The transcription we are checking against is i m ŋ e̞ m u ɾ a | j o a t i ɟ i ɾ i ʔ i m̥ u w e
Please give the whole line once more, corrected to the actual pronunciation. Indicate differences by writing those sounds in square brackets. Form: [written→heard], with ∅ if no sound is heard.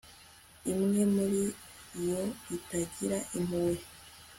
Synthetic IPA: i m ŋ e̞ m u ɾ [a→i] | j o [a→i] t [i→a] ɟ i ɾ [i→a] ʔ i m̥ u w e